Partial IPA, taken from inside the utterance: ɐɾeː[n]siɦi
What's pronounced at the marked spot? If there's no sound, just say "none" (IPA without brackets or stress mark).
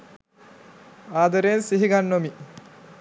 n